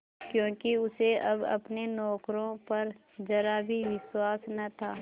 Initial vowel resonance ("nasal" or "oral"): nasal